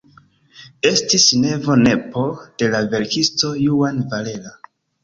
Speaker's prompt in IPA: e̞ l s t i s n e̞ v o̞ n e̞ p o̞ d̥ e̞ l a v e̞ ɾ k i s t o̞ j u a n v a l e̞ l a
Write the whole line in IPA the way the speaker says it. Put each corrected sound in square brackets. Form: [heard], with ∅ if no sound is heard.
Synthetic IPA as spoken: e̞ [∅] s t i s n e̞ v o̞ n e̞ p o̞ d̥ e̞ l a v e̞ ɾ k i s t o̞ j u a n v a l e̞ l a